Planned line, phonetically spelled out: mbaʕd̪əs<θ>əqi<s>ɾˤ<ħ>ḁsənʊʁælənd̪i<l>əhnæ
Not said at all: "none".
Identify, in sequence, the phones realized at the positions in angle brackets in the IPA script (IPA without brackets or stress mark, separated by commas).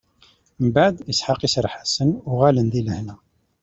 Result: ħ, s, ħ, l